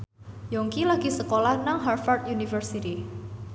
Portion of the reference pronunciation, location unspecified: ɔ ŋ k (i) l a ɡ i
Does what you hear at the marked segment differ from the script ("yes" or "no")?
no